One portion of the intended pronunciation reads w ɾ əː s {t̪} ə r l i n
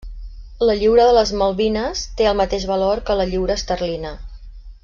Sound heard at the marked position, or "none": t̪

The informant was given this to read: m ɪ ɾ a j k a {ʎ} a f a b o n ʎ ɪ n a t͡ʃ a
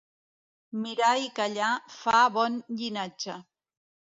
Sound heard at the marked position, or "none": ʎ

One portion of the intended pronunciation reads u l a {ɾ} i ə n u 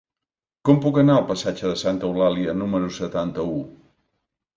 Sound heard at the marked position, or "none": l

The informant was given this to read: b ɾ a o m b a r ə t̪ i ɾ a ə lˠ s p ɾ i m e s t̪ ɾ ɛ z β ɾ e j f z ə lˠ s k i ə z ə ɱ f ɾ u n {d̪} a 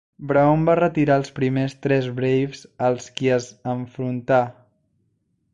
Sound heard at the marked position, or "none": t̪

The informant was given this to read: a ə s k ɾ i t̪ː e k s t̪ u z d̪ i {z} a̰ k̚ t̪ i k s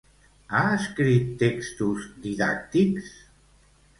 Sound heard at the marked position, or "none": ð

